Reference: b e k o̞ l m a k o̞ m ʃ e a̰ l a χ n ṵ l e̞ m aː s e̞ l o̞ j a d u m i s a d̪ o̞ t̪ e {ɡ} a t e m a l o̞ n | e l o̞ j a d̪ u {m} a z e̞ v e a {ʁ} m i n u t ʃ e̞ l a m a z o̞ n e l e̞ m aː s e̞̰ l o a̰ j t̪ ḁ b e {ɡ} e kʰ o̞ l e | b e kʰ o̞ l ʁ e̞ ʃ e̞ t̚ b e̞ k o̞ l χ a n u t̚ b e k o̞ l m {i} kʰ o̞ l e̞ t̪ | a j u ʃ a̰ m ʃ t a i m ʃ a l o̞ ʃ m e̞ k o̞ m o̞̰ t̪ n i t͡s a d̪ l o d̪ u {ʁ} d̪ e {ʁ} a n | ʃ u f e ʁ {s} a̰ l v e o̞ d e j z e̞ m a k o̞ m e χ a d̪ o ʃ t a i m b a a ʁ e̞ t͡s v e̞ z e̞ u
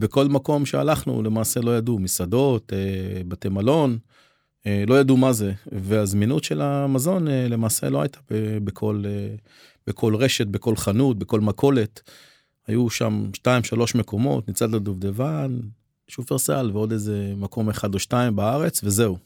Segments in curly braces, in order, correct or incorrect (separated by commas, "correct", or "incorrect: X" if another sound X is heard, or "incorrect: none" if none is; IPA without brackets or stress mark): incorrect: b, correct, incorrect: z, incorrect: b, incorrect: a, incorrect: v, incorrect: v, correct